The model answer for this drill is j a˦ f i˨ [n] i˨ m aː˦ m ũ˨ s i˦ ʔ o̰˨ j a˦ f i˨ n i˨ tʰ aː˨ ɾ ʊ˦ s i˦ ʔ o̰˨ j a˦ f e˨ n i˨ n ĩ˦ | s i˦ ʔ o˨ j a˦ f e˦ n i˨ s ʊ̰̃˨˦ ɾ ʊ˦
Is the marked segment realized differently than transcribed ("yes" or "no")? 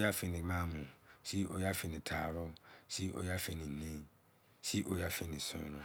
no